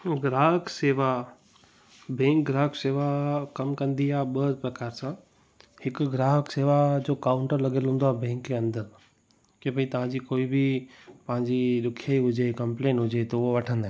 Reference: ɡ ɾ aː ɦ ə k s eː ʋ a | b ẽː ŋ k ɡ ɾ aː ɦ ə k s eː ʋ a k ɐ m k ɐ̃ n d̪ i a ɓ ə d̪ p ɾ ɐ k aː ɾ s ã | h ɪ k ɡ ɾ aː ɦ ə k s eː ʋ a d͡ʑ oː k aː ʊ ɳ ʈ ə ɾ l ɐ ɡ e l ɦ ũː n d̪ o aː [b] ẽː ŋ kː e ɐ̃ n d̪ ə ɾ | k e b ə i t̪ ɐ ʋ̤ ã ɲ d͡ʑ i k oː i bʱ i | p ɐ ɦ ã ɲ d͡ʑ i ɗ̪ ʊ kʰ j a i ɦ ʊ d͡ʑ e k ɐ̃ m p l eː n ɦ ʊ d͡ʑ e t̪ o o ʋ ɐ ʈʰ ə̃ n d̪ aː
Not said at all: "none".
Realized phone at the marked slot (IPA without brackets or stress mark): b